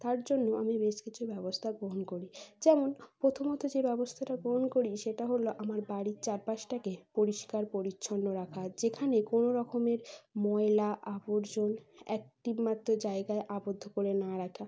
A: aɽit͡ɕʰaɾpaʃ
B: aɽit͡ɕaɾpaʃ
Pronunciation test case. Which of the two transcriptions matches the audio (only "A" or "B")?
B